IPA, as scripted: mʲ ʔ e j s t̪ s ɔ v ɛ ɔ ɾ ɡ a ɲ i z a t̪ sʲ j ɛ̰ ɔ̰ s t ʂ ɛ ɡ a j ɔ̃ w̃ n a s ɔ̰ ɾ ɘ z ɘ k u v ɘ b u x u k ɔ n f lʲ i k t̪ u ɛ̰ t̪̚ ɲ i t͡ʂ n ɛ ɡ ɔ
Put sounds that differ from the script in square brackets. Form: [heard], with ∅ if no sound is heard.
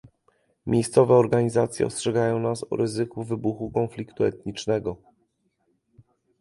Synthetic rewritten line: mʲ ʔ e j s t̪ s ɔ v ɛ ɔ ɾ ɡ a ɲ i z a t̪ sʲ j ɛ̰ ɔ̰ s t ʂ ɛ ɡ a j ɔ̃ w̃ n a s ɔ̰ ɾ ɘ z ɘ k u v ɘ b u x u k ɔ n f lʲ i k t̪ u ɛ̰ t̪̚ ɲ i t͡ʂ n ɛ ɡ ɔ